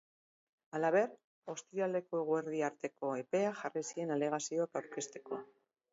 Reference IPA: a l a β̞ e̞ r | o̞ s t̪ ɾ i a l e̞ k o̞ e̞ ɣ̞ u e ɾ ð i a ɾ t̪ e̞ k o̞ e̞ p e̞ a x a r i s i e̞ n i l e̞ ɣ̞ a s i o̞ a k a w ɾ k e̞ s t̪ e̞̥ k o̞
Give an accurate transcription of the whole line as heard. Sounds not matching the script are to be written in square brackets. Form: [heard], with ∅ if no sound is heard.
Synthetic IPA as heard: a l a β̞ e̞ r | o̞ s t̪ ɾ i a l e̞ k o̞ e̞ ɣ̞ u e ɾ ð i a ɾ t̪ e̞ k o̞ e̞ p e̞ a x a r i s i e̞ n [a] l e̞ ɣ̞ a s i o̞ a k a w ɾ k e̞ s t̪ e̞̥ k o̞